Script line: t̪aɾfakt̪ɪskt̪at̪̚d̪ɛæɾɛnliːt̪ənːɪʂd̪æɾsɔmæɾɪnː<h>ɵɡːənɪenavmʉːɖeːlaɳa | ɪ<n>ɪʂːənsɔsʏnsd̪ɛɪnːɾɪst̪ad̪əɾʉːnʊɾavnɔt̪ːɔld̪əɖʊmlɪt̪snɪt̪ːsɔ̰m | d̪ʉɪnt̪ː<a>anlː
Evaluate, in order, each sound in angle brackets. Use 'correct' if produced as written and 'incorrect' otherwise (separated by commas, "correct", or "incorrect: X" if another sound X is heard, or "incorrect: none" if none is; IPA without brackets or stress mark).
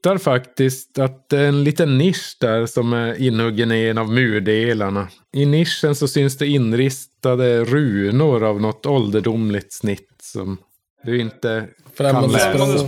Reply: correct, correct, incorrect: ə